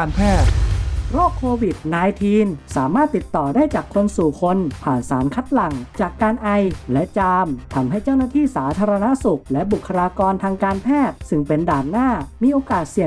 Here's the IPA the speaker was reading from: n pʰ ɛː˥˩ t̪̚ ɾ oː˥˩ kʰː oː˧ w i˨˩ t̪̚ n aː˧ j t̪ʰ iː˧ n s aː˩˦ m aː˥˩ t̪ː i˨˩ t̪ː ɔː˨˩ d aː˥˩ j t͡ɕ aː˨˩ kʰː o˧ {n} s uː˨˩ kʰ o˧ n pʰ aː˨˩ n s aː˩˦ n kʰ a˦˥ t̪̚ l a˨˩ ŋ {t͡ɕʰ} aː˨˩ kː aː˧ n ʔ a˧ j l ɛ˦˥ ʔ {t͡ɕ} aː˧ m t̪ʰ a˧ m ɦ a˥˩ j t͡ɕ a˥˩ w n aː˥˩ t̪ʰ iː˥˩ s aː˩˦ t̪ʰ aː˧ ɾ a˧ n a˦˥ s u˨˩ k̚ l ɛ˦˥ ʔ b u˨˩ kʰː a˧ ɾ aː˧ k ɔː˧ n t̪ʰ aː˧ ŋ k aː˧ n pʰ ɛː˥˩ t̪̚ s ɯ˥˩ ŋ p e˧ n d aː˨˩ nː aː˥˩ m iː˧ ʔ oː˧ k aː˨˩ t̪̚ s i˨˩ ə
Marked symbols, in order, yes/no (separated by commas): yes, no, yes